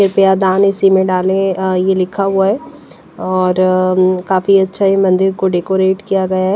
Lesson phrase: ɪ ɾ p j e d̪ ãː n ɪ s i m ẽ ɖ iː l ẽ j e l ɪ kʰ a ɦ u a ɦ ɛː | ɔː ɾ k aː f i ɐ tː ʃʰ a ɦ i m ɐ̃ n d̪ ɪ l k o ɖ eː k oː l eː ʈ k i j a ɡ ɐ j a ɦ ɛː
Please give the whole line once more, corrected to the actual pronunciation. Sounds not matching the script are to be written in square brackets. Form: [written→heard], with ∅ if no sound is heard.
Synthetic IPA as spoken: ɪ ɾ p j [e→a] d̪ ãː n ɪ s i m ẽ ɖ [iː→aː] l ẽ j e l ɪ kʰ a ɦ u a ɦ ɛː | ɔː ɾ k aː f i ɐ tː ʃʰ a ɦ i m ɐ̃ n d̪ ɪ [l→ɾ] k o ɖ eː k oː [l→ɾ] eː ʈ k i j a ɡ ɐ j a ɦ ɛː